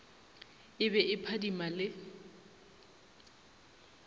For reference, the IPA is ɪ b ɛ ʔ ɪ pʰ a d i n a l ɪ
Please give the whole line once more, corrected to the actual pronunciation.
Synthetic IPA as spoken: ɪ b ɛ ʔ ɪ pʰ a d i m a l ɪ